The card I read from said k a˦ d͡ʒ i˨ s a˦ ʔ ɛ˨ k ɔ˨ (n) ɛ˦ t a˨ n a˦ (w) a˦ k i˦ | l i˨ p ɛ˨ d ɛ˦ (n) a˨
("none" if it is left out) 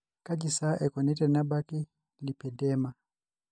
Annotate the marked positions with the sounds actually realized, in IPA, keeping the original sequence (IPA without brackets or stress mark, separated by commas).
n, b, m